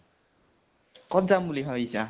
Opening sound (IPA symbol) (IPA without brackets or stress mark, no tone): k